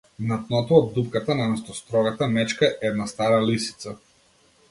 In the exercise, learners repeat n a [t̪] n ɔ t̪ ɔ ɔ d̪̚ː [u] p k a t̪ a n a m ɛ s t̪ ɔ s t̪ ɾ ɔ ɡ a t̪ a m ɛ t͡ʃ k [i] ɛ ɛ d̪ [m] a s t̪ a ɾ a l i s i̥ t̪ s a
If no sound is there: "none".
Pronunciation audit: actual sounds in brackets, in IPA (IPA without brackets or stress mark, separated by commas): t̪, u, a, n